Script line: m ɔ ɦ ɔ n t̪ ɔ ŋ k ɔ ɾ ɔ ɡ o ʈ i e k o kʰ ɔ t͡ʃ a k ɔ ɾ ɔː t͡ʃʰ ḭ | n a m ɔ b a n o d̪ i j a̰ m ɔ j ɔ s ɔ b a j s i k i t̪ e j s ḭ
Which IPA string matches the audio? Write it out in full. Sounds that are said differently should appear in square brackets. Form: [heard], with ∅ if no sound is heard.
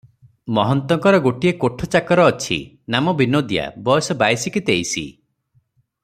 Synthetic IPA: m ɔ ɦ ɔ n t̪ ɔ ŋ k ɔ ɾ ɔ ɡ o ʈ i e k o [ʈʰ] ɔ t͡ʃ a k ɔ ɾ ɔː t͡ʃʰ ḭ | n a m ɔ b [i] n o d̪ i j a̰ [b] ɔ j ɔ s ɔ b a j s i k i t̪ e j s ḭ